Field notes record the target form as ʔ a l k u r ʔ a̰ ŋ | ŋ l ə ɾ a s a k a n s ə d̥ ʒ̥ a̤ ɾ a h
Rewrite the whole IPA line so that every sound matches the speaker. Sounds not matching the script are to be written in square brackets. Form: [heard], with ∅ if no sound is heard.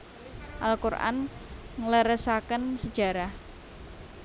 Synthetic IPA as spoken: ʔ a l k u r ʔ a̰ [n] | ŋ l ə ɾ [ə] s a k [ə] n s ə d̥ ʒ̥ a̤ ɾ a h